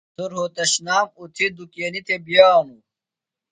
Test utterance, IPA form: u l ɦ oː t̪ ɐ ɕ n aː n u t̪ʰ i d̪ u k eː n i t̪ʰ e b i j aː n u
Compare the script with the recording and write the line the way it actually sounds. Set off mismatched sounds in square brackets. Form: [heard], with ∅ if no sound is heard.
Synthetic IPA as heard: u [ɾ] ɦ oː t̪ ɐ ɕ n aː [m] u t̪ʰ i d̪ u k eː n i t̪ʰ e b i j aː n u